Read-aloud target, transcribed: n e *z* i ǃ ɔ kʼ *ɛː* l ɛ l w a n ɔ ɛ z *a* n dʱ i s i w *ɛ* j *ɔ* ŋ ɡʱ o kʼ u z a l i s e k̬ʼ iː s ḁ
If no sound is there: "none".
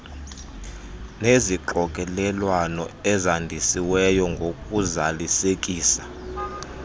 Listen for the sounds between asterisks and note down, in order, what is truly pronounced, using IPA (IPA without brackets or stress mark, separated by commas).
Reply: z, ɛ, a, ɛ, ɔ